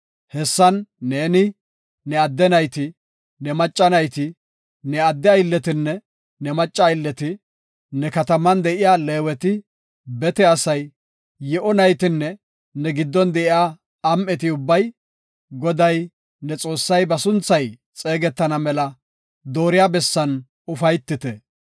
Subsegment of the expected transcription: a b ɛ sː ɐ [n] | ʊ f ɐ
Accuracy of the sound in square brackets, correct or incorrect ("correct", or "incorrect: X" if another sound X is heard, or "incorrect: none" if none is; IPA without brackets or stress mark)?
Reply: correct